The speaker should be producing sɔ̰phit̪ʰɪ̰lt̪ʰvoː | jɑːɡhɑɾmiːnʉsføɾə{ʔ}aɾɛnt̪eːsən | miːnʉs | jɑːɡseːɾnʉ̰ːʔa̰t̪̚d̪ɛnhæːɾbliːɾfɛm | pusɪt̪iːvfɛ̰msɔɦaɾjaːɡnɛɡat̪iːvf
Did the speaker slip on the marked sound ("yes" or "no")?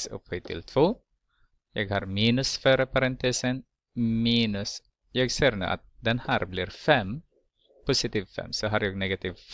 yes